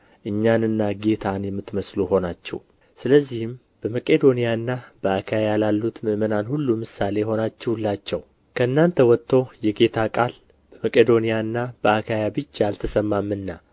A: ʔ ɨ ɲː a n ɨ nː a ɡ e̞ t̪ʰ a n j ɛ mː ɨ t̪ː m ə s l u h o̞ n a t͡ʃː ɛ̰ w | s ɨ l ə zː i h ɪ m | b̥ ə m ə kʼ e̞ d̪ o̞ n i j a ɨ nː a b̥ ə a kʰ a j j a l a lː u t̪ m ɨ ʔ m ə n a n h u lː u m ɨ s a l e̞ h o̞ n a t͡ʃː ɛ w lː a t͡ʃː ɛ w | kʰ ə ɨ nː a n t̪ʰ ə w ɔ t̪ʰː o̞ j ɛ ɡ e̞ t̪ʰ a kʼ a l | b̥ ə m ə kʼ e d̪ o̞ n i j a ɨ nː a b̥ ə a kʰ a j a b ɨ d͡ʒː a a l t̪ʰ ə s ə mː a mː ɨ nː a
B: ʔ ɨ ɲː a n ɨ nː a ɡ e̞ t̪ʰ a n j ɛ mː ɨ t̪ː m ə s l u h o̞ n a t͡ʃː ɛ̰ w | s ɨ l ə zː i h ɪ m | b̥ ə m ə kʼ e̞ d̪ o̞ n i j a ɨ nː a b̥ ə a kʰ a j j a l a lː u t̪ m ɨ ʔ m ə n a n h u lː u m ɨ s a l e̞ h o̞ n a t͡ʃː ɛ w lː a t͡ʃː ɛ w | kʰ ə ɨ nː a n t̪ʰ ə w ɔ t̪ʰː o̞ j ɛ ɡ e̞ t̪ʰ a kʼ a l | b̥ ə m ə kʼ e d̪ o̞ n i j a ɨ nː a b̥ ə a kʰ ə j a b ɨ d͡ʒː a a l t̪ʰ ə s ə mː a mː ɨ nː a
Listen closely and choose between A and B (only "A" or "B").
A